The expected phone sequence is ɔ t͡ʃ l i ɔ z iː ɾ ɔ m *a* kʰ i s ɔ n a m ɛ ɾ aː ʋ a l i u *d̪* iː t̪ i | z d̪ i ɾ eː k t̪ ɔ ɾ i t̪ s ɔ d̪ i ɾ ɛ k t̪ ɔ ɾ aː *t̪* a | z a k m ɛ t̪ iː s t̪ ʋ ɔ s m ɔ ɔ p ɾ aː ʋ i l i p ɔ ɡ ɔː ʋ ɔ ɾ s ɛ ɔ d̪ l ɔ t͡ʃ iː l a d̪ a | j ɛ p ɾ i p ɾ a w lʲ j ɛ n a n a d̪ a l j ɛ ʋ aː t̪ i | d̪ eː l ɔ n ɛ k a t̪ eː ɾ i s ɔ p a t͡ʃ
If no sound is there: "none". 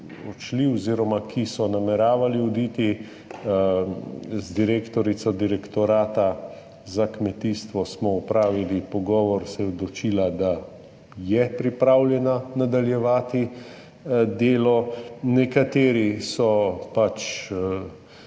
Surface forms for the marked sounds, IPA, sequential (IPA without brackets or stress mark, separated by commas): a, d̪, t̪